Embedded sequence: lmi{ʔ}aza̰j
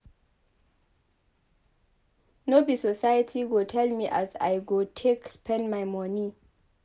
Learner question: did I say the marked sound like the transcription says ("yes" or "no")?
yes